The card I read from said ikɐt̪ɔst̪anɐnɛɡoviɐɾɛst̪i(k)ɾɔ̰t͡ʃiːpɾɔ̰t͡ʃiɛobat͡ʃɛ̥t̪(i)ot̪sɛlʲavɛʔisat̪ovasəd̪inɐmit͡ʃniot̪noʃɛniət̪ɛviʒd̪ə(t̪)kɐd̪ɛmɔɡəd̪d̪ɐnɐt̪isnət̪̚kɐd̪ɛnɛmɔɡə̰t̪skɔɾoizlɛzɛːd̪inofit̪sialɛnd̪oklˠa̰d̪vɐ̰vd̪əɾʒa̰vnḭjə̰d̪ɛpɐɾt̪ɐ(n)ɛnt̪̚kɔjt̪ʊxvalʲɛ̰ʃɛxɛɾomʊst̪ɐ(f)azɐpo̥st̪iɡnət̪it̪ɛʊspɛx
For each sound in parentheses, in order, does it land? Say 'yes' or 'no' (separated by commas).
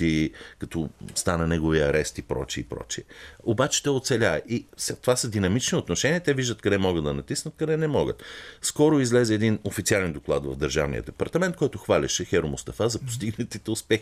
no, no, yes, no, yes